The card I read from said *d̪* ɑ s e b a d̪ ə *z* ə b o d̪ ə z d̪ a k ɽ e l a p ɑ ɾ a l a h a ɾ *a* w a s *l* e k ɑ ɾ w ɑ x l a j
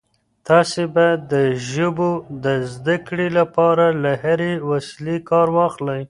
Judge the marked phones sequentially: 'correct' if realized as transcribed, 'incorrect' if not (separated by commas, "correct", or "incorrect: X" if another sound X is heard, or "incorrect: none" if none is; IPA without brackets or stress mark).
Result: incorrect: t̪, incorrect: ʒ, incorrect: e, correct